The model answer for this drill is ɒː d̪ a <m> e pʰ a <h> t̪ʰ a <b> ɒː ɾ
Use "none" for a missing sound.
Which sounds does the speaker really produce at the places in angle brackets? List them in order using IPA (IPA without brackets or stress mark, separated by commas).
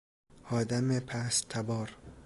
m, s, b